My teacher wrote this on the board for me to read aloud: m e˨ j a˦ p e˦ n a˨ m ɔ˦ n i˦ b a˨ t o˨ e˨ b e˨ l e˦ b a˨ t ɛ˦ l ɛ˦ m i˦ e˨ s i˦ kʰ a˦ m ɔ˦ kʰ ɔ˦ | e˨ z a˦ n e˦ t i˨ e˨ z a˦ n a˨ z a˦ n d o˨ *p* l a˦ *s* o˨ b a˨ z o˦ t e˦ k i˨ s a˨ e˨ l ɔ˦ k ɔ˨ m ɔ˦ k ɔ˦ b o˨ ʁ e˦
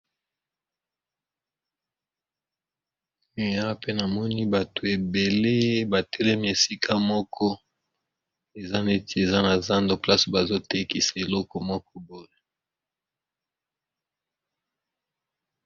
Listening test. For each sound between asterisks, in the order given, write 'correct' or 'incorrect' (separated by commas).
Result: correct, correct